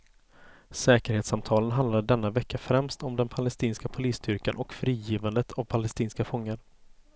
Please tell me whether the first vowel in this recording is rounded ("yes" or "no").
no